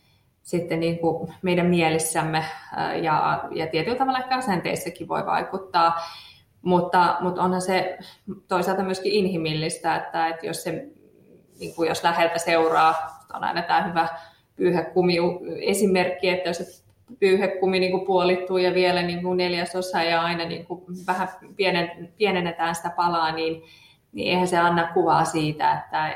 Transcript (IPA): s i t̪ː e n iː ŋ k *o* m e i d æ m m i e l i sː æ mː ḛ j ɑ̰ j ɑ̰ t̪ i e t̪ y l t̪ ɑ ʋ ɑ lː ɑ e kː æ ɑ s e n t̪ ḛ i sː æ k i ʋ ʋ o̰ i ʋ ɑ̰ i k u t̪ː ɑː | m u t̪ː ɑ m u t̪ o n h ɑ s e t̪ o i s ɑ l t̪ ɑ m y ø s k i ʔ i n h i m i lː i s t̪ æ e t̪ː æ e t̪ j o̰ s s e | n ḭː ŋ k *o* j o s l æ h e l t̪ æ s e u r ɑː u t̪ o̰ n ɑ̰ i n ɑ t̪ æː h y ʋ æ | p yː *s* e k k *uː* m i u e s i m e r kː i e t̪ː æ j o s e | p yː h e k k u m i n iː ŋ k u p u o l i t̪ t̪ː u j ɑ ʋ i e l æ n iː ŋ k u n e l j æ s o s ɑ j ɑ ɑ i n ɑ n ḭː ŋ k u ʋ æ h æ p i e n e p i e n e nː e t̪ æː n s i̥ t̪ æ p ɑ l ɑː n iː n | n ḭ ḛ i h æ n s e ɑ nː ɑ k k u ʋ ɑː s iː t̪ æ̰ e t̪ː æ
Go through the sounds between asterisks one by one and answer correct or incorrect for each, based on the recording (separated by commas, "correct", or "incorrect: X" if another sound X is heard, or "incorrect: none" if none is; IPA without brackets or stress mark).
incorrect: u, incorrect: u, incorrect: h, incorrect: u